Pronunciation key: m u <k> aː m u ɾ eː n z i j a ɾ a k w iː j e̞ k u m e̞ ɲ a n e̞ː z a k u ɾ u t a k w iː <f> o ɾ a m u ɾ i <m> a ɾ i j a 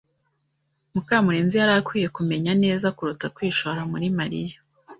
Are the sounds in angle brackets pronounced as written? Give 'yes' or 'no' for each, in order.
yes, no, yes

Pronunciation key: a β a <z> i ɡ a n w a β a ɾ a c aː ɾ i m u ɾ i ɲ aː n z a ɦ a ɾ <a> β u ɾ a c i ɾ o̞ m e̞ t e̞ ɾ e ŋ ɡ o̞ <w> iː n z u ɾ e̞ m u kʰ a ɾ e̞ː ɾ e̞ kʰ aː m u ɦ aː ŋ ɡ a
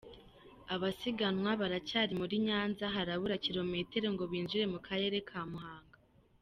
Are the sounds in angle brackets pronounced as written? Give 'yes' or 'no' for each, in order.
no, yes, no

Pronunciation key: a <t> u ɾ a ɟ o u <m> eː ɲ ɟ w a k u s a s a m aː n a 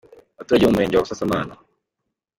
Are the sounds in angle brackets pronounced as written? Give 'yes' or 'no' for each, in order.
yes, yes

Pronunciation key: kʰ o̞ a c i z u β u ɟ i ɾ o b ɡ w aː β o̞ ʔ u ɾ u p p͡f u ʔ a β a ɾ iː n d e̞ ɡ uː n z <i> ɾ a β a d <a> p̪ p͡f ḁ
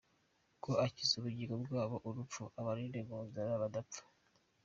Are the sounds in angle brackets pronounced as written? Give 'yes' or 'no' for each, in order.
no, yes

